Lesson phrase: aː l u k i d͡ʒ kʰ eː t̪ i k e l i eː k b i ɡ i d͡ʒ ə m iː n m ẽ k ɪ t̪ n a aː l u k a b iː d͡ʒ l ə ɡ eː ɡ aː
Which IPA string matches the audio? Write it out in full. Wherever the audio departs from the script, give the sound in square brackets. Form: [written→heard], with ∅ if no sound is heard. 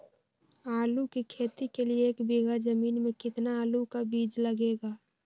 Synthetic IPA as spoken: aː l u k i [d͡ʒ→∅] kʰ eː t̪ i k e l i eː k b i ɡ [i→a] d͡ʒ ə m iː n m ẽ k ɪ t̪ n a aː l u k a b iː d͡ʒ l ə ɡ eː ɡ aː